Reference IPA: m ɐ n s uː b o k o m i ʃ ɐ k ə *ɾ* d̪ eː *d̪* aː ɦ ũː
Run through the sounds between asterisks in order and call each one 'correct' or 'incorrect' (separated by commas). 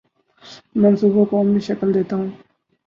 incorrect, incorrect